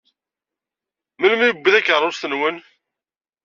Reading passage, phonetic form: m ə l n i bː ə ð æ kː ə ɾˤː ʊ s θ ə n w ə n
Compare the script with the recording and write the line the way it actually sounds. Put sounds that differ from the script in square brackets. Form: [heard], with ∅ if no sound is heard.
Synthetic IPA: m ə l [m] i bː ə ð æ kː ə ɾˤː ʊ s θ ə n w ə n